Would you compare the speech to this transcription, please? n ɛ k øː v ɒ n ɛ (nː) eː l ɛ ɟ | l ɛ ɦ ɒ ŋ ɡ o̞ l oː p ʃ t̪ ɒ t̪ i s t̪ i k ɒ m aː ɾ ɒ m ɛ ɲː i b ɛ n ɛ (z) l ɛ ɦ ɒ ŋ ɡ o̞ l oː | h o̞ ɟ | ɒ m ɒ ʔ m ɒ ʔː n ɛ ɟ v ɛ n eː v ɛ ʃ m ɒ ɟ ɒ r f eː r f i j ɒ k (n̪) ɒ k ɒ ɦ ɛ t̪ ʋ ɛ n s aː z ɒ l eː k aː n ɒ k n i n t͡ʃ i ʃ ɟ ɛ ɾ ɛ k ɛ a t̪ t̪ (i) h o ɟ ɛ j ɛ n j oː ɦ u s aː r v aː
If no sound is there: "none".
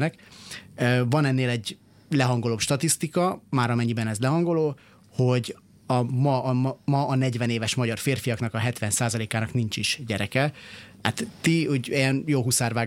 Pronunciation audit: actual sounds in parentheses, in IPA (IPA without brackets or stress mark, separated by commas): nː, z, n̪, i